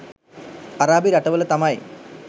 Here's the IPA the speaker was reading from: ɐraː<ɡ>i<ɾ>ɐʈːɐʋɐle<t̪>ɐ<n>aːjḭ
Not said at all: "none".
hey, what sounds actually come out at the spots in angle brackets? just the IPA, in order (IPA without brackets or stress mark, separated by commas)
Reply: b, ɾ, t̪, m